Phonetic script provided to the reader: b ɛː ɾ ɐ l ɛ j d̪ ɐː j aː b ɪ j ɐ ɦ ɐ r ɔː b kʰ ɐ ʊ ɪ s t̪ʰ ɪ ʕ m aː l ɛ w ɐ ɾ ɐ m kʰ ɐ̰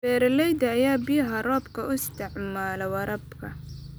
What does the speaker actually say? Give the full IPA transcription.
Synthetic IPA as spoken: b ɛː ɾ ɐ l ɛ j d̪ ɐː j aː b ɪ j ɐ ɦ ɐ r ɔː b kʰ ɐ ʊ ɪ s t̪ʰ ɪ ʕ m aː l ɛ w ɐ ɾ ɐ b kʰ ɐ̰